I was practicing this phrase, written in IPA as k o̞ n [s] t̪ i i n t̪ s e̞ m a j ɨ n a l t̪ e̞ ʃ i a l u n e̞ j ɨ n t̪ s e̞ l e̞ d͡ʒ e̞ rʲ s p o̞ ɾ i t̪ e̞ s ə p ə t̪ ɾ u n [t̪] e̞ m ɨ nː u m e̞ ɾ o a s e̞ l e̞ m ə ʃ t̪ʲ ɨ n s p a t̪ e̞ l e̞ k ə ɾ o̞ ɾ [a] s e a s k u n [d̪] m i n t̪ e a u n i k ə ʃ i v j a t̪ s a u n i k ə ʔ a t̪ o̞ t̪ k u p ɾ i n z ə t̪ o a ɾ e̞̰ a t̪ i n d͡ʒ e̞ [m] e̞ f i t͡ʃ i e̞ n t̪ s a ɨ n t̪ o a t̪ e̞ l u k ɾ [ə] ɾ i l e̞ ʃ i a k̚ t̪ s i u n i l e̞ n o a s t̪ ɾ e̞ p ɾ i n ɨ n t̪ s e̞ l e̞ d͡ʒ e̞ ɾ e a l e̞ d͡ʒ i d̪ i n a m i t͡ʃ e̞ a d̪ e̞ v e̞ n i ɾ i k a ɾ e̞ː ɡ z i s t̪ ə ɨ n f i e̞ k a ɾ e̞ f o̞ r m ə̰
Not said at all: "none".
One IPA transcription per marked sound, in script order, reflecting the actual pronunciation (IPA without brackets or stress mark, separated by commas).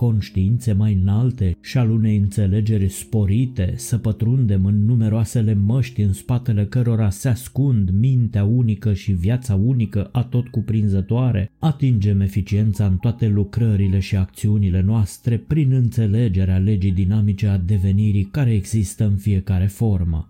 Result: ʃ, d̪, a, d̪, m, ə